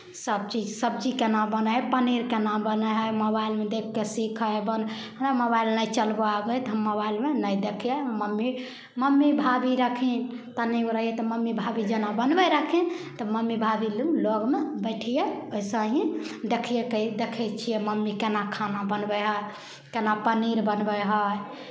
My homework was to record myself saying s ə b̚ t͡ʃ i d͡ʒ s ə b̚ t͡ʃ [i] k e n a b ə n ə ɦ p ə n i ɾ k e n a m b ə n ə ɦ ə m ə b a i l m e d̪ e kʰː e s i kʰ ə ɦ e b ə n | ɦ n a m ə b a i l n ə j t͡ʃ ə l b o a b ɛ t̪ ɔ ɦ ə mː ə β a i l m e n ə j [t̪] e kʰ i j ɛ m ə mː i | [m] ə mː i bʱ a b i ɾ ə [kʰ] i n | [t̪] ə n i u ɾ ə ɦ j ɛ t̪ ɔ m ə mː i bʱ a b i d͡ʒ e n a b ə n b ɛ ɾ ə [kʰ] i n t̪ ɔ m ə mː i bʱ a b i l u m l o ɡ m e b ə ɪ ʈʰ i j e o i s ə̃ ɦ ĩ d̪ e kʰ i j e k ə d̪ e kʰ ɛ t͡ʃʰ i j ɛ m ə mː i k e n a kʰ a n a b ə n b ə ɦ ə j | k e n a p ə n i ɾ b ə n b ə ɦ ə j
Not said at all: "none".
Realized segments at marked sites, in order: i, d̪, m, kʰ, t̪, kʰ

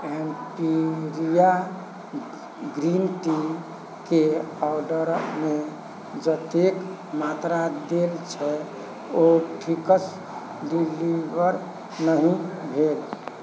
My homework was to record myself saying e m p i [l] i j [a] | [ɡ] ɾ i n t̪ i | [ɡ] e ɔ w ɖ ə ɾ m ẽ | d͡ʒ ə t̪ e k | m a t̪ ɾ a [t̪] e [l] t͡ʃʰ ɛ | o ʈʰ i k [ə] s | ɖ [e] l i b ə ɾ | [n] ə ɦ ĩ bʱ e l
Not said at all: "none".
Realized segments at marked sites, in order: ɾ, a, ɡ, k, d̪, l, ə, i, n

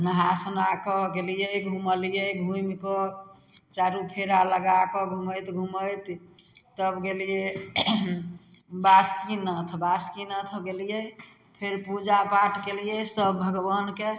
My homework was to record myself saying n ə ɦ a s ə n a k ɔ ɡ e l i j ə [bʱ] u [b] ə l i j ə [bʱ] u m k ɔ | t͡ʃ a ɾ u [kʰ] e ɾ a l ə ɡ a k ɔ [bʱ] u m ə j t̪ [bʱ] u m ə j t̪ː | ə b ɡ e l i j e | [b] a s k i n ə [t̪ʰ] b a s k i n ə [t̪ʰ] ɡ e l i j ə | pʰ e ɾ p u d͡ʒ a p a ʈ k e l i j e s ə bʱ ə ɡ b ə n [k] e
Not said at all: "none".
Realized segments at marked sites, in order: ɡʱ, m, ɡʱ, pʰ, ɡʱ, ɡʱ, b, t̪ʰ, t̪ʰ, k

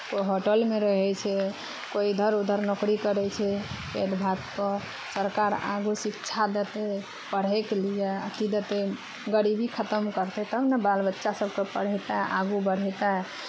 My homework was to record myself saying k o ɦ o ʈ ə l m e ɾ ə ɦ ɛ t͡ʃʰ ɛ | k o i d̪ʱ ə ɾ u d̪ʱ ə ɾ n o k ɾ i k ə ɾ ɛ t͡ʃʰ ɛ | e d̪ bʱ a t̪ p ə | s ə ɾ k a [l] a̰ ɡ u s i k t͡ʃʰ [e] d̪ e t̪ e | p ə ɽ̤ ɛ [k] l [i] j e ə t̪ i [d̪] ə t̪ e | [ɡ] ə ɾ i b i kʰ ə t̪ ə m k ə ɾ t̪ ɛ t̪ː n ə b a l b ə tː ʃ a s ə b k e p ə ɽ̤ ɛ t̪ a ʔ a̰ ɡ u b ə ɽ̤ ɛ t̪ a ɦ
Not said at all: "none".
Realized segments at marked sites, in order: ɾ, a, k, i, d̪, ɡ

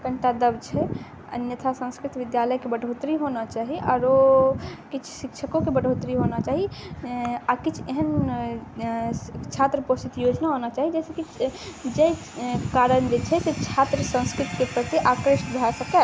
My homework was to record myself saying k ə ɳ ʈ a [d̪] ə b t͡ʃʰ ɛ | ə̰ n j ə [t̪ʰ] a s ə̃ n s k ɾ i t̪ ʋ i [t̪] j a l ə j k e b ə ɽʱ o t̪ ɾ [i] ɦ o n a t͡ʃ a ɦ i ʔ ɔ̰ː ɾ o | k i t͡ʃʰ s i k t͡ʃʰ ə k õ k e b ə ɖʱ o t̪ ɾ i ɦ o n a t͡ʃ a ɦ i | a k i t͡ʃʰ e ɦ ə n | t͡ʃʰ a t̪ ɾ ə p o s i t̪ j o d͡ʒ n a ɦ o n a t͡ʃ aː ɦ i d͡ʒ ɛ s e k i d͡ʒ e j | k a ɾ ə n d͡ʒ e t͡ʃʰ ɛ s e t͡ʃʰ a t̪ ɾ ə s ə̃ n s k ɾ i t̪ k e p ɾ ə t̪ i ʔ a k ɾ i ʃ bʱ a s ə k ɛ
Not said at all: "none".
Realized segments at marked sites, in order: d̪, t̪ʰ, d̪, i

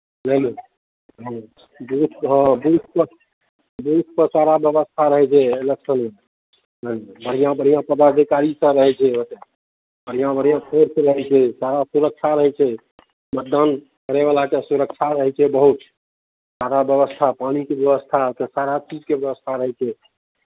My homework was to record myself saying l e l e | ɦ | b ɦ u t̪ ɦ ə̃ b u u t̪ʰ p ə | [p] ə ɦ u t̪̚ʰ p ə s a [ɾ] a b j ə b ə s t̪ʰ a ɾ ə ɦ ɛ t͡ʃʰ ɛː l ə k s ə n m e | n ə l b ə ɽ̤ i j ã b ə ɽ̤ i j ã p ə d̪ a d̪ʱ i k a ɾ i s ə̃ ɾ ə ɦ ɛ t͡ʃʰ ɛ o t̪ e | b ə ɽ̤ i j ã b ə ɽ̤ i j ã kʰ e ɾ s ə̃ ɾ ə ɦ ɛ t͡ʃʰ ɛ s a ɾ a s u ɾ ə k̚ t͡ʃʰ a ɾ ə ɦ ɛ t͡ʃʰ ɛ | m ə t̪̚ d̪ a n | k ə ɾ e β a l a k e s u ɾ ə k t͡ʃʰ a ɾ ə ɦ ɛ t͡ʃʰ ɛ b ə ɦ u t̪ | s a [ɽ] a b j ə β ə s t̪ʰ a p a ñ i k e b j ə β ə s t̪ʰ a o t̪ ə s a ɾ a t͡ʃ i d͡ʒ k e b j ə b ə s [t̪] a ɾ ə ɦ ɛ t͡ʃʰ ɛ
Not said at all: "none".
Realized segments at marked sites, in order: b, ɾ, ɾ, t̪ʰ

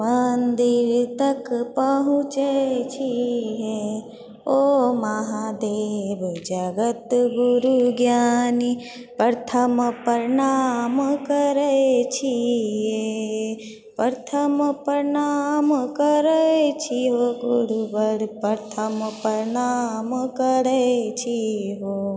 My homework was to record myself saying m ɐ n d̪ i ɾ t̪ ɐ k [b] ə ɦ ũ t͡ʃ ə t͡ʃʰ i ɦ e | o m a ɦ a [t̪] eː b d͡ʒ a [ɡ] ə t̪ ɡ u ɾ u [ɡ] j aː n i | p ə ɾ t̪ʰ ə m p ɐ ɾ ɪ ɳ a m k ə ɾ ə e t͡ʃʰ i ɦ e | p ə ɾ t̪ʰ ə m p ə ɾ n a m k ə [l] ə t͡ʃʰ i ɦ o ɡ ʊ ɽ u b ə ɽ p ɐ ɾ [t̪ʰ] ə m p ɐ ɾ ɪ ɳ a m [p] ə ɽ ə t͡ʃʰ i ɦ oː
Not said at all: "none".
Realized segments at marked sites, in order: p, d̪, ɡ, ɡ, ɾ, t̪ʰ, k

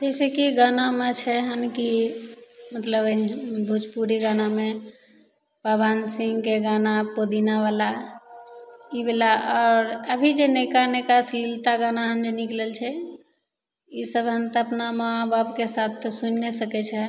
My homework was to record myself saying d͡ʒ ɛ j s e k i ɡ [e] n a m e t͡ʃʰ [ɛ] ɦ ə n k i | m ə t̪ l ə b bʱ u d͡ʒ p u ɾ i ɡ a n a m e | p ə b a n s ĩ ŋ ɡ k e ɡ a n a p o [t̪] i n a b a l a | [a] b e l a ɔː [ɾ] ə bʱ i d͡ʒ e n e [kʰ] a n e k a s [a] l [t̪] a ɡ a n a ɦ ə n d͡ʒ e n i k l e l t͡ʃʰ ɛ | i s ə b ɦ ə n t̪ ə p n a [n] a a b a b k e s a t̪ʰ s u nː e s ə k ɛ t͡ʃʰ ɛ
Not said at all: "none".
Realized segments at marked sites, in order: a, ɛ, d̪, i, ɾ, k, i, t̪, m

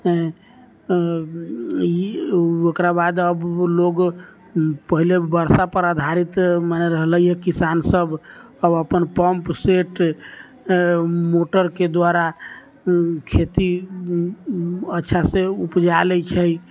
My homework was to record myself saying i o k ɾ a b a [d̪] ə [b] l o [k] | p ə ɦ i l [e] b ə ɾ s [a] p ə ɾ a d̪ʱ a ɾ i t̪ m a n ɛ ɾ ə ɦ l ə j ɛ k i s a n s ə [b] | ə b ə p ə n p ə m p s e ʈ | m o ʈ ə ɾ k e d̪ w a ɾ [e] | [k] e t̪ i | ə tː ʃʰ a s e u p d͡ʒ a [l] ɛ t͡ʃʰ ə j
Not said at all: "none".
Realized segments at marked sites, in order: d̪, b, ɡ, e, a, b, a, kʰ, l

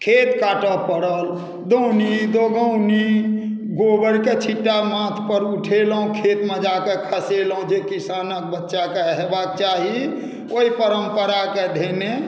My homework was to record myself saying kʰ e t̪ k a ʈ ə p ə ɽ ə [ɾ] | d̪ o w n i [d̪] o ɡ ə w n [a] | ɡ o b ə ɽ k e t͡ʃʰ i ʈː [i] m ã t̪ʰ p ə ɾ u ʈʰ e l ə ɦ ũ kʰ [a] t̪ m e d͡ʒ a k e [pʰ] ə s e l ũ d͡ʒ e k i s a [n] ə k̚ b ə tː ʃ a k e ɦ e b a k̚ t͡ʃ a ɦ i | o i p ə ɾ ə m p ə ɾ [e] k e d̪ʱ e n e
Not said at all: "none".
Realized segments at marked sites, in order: l, d̪, i, a, e, kʰ, n, a

